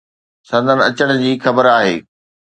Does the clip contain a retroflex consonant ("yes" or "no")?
yes